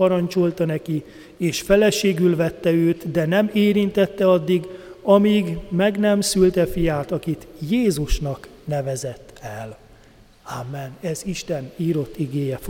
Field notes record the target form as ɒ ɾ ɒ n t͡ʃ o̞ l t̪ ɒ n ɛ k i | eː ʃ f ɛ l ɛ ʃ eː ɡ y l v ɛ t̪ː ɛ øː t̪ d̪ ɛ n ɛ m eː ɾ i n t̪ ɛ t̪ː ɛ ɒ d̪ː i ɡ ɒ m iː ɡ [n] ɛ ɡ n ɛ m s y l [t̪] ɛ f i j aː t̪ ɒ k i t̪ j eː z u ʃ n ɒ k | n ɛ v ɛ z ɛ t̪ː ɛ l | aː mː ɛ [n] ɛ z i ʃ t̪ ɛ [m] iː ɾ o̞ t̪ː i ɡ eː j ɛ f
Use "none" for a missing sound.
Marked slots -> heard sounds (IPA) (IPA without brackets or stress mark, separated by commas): m, t̪, n, n